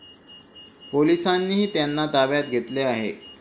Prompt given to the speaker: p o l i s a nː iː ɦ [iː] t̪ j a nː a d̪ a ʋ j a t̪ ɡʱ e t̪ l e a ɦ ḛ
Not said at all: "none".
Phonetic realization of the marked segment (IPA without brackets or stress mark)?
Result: iː